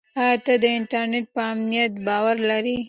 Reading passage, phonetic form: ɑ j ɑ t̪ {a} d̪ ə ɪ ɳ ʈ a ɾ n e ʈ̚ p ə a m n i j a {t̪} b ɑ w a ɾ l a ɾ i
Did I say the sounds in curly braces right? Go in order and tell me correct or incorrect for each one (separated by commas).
correct, correct